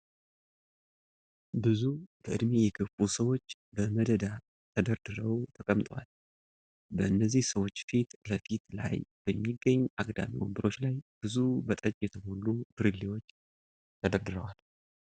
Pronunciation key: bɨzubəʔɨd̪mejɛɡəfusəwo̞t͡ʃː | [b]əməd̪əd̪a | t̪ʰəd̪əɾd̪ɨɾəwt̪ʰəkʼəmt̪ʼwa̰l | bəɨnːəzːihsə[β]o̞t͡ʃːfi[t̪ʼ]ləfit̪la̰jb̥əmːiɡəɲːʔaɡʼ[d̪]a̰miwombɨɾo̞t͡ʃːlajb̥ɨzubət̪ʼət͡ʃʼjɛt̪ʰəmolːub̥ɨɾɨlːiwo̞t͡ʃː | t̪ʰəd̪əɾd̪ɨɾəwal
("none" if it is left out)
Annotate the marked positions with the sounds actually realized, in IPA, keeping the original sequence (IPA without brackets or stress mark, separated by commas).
b, w, t̪, d̪